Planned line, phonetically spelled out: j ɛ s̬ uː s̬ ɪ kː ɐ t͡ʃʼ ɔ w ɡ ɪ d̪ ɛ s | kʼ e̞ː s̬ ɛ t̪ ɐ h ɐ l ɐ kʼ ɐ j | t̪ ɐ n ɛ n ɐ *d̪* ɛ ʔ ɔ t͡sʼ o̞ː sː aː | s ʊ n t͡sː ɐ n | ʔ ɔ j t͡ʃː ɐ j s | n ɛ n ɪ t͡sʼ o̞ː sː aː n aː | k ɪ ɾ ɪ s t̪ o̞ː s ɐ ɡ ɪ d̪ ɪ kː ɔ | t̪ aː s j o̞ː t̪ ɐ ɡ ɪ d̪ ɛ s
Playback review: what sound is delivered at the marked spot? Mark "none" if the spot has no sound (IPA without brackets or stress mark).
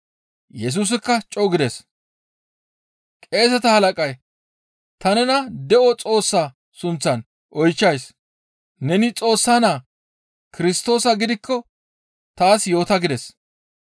d̪